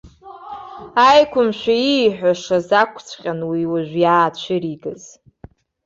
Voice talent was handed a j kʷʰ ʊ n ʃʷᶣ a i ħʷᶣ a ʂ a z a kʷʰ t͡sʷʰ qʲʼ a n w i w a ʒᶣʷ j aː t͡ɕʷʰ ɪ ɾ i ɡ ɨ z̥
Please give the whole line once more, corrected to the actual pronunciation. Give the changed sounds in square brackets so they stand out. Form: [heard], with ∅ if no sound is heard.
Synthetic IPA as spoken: a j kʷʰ ʊ [m] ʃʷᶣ a i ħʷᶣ a ʂ a z a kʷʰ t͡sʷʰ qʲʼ a n w i w a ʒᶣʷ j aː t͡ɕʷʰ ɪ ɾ i ɡ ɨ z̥

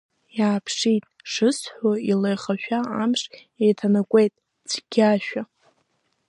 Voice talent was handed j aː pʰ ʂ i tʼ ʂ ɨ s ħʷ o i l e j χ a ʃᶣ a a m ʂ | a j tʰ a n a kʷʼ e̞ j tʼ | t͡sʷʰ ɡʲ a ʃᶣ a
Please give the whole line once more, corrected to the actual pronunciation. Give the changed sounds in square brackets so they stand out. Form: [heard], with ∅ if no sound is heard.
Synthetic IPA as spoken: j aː pʰ ʂ i tʼ ʂ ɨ s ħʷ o i l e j χ a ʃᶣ a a m ʂ | [e] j tʰ a n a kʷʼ e̞ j tʼ | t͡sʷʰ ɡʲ a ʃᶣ a

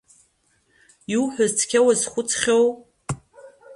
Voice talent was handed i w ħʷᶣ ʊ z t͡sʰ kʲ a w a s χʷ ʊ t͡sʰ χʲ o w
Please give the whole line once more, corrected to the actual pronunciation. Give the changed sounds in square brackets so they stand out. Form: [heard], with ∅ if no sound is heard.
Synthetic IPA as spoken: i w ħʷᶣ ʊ z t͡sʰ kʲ a w a [z] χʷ ʊ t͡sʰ χʲ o w

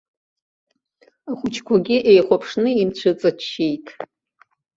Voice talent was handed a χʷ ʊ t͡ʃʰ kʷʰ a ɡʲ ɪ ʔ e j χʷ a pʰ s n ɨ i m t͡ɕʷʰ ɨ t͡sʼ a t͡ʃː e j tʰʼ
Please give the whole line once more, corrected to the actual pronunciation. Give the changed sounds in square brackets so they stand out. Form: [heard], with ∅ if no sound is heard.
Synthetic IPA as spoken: a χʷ ʊ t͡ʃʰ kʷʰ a ɡʲ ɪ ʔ e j χʷ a pʰ [ʂ] n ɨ i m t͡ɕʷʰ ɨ t͡sʼ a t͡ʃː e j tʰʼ

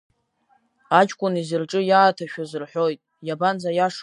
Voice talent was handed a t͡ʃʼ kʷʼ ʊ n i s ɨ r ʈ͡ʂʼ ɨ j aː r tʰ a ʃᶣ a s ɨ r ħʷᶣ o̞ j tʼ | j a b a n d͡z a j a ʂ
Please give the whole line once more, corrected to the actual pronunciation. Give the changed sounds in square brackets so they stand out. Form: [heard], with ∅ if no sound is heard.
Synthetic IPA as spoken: a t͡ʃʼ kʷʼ ʊ n i [z] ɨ r ʈ͡ʂʼ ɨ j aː [∅] tʰ a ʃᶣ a [z] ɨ r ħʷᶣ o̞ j tʼ | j a b a n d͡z a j a ʂ

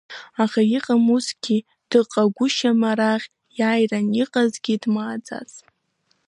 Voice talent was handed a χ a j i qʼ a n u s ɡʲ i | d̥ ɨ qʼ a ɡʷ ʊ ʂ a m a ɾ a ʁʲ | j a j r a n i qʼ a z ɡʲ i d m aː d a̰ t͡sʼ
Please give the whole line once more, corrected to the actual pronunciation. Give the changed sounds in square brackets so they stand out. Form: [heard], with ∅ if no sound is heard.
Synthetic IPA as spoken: a χ a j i qʼ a [m] u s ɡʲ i | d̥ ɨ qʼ a ɡʷ ʊ [ʃ] a m a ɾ a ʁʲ | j a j r a n i qʼ a z ɡʲ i d m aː [d͡z] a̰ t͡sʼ

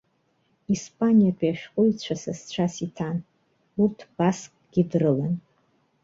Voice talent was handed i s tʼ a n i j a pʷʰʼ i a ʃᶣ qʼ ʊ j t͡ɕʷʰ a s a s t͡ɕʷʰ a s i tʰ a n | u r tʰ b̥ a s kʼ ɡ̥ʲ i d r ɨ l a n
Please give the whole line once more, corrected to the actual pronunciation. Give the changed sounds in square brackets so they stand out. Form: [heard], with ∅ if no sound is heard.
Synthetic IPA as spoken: i s [pʼ] a n i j a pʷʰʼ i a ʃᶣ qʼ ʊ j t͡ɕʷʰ a s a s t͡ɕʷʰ a s i tʰ a n | u r tʰ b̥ a s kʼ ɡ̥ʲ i d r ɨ l a n

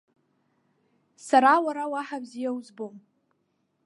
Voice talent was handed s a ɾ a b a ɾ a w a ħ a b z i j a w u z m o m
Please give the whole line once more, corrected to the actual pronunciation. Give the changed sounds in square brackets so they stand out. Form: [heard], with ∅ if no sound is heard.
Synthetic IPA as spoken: s a ɾ a [w] a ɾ a w a ħ a b z i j a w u z [b] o m

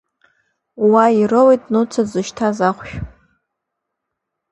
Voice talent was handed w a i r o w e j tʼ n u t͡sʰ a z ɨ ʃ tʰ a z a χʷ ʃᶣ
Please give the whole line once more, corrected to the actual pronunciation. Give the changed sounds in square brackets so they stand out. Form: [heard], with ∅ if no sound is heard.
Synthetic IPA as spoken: w a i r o w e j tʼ n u t͡sʰ a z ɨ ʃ tʰ a z a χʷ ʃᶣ

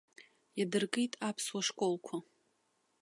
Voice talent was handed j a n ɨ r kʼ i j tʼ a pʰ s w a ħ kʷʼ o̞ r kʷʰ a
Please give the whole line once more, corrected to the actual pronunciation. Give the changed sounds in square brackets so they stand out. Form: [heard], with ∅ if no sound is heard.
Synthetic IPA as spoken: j a [d] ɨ r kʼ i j tʼ a pʰ s w a [ʂ] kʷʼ o̞ [l] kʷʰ a

